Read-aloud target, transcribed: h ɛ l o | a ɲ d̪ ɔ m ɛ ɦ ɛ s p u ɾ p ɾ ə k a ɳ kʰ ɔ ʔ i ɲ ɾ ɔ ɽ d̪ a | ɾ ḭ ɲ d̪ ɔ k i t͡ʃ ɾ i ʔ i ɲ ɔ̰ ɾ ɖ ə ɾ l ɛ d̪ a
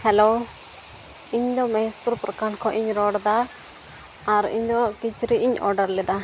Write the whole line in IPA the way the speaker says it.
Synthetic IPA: h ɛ l o | i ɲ d̪ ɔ m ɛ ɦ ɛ s p u ɾ p ɾ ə k a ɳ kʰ ɔ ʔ i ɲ ɾ ɔ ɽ d̪ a | ɾ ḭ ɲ d̪ ɔ k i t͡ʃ ɾ i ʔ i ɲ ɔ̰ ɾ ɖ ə ɾ l ɛ d̪ a